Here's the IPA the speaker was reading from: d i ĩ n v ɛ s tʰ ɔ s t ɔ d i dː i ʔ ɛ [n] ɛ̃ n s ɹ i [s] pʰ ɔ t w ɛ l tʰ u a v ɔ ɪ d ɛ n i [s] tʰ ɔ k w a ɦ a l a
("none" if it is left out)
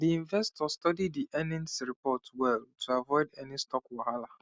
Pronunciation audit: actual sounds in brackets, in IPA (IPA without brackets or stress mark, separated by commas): n, none, s